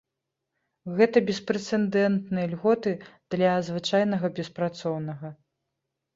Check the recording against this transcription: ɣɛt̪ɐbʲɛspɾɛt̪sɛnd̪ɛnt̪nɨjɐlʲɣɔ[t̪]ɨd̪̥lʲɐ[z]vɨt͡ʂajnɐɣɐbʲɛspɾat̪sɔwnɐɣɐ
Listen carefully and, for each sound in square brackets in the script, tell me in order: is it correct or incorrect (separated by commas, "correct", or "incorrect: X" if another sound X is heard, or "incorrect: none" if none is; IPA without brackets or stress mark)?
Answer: correct, correct